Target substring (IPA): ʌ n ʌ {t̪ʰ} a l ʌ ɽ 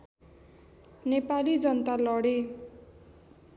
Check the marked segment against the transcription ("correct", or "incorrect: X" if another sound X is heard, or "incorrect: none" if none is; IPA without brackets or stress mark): incorrect: t̪